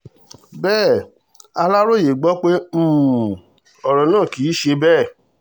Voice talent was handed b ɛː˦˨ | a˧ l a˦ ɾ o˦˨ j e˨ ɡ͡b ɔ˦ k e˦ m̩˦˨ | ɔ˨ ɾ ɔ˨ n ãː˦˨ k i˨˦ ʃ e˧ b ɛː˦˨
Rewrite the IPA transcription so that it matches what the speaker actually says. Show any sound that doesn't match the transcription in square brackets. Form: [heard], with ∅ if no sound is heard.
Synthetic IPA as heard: b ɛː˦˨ | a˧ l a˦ ɾ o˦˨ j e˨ ɡ͡b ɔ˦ [k͡p] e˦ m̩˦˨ | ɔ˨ ɾ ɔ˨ n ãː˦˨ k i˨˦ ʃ e˧ b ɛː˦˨